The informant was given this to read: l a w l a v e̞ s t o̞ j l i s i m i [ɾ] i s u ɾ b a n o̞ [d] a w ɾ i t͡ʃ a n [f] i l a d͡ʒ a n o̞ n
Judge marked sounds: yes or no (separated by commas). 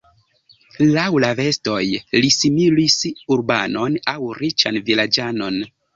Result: no, no, no